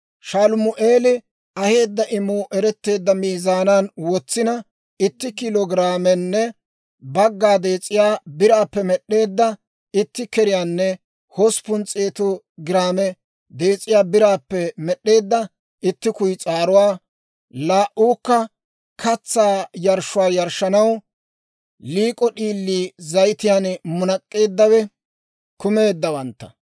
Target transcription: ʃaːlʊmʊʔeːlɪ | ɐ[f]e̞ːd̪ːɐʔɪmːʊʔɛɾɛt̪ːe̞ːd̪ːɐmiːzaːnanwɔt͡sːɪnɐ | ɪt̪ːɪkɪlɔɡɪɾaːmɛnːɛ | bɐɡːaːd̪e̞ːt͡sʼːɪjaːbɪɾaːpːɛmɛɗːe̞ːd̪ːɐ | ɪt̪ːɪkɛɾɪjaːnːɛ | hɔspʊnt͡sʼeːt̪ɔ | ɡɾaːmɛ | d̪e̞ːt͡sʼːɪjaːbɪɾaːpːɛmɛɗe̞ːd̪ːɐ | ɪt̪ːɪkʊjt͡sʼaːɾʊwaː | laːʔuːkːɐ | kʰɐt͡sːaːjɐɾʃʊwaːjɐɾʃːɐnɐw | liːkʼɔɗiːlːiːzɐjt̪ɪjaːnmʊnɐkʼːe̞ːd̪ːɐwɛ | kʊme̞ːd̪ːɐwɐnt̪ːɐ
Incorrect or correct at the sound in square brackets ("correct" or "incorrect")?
incorrect